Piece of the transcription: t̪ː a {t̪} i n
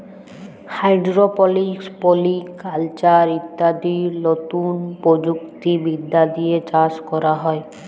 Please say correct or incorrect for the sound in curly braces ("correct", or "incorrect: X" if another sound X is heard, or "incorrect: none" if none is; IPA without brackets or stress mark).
incorrect: d̪